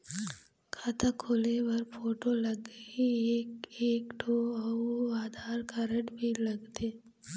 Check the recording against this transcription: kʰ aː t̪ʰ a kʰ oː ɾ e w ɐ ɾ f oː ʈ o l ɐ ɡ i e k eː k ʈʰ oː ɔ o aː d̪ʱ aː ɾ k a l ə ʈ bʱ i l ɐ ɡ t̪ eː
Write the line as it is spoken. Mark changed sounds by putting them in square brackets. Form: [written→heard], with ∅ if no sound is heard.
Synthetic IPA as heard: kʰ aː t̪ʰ a kʰ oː [ɾ→l] e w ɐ ɾ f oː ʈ o l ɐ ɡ i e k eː k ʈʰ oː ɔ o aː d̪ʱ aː ɾ k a [l→ɾ] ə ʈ bʱ i l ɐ ɡ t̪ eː